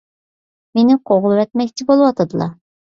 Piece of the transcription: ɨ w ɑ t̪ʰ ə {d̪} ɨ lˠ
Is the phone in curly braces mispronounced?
no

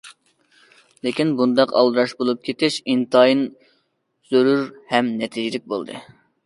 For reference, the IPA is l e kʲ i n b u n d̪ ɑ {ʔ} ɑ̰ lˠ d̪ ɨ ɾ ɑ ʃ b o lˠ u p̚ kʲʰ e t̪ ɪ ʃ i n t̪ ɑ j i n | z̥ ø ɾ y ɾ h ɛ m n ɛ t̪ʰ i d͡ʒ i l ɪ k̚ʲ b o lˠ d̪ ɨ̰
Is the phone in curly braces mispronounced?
yes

